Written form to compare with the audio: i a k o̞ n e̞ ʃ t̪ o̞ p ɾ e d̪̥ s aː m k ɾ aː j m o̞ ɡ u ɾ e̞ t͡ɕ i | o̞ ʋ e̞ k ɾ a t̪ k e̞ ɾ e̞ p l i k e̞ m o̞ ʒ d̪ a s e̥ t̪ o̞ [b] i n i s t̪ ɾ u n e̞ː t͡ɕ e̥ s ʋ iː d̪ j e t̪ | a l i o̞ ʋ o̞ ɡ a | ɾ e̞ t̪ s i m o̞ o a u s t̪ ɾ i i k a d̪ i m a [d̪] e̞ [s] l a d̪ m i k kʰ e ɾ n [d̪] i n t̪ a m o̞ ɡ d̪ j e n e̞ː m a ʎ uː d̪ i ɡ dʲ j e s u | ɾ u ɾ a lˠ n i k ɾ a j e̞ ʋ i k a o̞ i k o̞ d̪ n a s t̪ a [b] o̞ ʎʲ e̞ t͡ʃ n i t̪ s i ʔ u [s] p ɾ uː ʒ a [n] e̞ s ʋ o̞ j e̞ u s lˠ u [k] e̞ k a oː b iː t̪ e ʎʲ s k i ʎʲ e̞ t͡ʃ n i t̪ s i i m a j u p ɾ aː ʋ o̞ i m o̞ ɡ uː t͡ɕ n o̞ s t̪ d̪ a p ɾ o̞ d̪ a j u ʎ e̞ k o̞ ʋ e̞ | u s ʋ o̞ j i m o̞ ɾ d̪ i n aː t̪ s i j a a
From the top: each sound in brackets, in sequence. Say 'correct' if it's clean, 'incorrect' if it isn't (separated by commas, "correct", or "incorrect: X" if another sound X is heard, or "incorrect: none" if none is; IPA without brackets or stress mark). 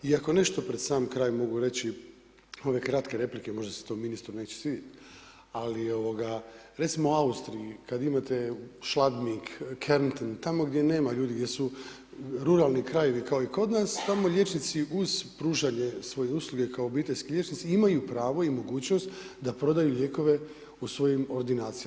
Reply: incorrect: m, incorrect: t̪, incorrect: ʃ, incorrect: t̪, incorrect: m, incorrect: z, incorrect: ɲ, incorrect: ɡ